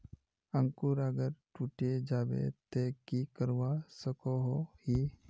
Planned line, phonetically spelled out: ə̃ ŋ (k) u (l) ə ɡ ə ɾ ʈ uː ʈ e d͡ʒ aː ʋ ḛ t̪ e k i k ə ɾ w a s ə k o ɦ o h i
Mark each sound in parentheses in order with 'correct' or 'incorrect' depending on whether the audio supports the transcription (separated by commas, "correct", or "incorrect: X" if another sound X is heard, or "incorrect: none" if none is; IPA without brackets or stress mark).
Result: correct, incorrect: ɾ